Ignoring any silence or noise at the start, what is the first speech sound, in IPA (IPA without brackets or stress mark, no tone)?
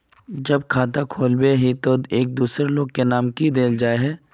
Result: d͡ʒ